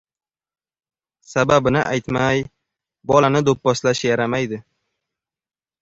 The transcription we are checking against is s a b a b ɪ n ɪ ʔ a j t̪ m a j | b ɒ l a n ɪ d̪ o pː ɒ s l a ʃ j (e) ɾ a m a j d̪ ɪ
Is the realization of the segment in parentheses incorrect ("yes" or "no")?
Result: yes